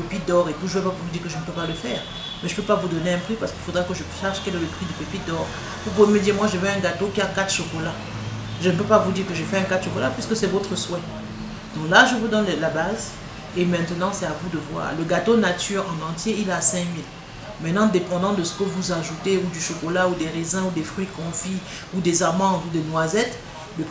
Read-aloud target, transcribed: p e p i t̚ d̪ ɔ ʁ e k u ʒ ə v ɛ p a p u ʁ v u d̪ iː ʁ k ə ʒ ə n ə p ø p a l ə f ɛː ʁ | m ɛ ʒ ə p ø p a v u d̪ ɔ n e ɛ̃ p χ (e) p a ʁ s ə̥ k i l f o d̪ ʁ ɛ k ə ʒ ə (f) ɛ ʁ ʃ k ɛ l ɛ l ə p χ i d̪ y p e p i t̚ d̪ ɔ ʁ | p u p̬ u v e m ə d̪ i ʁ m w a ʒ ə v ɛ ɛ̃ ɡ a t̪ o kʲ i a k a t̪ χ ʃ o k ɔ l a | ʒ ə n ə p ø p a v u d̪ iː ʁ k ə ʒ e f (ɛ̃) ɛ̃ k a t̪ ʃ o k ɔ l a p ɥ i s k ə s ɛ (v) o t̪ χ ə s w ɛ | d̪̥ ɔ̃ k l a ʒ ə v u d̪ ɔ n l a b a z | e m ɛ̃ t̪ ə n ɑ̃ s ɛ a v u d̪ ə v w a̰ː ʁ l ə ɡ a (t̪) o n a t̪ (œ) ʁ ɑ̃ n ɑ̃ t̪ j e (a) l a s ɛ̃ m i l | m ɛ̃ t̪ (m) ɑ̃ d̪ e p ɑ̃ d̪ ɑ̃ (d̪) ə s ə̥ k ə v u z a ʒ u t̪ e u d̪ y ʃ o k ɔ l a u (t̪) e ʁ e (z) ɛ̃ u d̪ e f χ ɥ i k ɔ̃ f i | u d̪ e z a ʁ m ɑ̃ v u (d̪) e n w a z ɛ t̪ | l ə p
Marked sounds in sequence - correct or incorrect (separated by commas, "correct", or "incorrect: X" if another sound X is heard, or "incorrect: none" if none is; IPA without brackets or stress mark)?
incorrect: i, incorrect: ʃ, incorrect: ɛ, correct, correct, incorrect: y, incorrect: i, incorrect: n, correct, incorrect: d̪, correct, correct